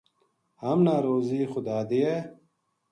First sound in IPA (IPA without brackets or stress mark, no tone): h